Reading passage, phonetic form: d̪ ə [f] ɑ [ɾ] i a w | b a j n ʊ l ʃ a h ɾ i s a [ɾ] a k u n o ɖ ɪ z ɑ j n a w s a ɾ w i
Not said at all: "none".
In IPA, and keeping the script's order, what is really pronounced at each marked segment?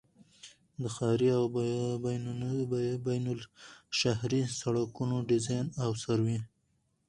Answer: x, ɾ, ɽ

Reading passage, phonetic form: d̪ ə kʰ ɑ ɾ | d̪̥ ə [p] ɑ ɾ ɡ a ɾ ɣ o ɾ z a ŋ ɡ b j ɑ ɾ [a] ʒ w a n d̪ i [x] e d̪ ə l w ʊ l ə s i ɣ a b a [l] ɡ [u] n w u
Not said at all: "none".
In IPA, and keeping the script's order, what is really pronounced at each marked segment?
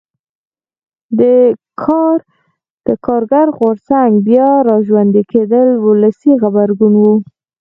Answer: k, ɑ, k, ɾ, u

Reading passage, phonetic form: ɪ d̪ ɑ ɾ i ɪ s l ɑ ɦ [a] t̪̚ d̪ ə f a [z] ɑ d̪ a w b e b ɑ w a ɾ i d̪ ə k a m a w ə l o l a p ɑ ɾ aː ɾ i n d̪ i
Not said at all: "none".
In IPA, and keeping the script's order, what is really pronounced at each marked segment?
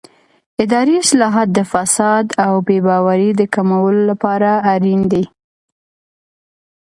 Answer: ɑ, s

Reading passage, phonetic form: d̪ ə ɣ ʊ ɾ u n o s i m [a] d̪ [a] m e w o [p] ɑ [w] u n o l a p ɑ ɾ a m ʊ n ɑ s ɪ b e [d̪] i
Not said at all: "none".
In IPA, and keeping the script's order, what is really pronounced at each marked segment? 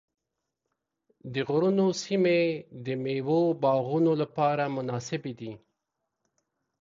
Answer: e, ə, b, ɣ, d̪

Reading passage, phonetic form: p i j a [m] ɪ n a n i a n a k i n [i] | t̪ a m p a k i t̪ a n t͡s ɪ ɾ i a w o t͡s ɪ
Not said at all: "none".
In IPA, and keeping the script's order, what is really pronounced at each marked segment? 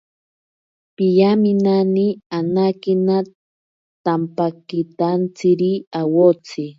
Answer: m, a

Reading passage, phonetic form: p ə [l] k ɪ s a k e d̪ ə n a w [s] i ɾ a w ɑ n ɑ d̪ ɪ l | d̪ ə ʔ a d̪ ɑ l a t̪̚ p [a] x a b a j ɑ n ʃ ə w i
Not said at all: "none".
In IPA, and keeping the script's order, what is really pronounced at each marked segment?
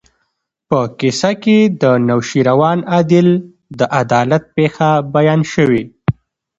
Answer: none, ʃ, e

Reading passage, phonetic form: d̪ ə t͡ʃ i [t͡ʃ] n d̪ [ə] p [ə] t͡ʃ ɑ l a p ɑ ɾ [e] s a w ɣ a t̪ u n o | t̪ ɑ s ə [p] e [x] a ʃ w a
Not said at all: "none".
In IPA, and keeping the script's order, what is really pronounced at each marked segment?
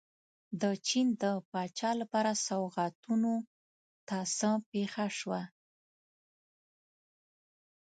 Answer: none, ə, ɑ, a, p, x

